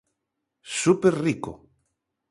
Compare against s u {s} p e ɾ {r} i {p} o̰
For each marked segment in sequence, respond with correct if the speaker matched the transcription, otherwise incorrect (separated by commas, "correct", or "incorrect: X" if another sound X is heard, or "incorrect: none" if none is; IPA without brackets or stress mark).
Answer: incorrect: none, correct, incorrect: k